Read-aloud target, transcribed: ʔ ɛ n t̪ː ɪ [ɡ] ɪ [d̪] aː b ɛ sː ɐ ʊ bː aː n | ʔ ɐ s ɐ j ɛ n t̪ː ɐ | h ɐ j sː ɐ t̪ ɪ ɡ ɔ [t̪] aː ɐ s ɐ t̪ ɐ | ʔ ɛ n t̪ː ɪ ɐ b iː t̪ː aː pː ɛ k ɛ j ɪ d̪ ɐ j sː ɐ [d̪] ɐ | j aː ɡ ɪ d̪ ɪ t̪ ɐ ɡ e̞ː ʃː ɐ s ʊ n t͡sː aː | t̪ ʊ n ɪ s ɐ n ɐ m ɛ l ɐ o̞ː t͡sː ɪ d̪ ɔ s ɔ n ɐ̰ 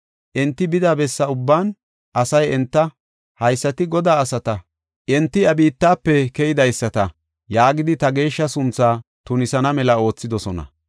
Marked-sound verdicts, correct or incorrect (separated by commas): incorrect, correct, incorrect, incorrect